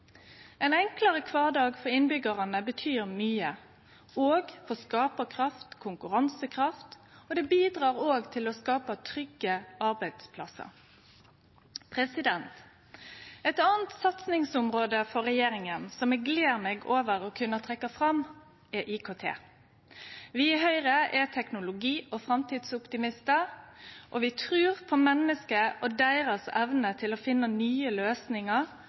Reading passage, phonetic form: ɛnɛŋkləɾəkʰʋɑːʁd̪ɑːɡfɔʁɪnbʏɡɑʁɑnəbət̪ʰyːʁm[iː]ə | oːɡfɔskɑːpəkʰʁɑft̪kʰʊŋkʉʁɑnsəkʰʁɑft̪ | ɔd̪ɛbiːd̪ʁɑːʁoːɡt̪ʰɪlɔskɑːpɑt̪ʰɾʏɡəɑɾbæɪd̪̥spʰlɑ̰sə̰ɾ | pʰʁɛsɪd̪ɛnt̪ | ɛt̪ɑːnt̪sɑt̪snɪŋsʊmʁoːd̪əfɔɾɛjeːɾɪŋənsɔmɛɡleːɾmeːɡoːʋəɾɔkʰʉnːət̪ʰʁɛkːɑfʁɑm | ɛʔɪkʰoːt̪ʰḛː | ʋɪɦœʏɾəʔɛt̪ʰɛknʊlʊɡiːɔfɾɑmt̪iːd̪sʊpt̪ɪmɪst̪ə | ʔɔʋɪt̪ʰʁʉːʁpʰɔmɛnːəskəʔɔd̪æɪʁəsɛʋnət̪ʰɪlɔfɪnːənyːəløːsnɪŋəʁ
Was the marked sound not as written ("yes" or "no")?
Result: yes